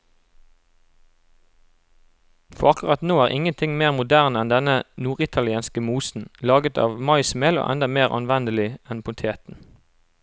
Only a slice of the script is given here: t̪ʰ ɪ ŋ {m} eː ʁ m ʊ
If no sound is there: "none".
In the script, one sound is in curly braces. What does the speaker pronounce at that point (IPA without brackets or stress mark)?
m